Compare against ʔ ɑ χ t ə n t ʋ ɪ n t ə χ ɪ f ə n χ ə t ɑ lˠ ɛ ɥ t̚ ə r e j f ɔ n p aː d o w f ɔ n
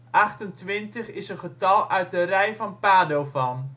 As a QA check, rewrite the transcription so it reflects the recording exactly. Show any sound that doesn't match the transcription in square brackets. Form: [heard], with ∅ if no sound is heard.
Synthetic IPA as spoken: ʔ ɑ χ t ə n t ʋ ɪ n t ə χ ɪ [s] ə n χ ə t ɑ lˠ [œ] ɥ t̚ ə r [ɛ] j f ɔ n p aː d o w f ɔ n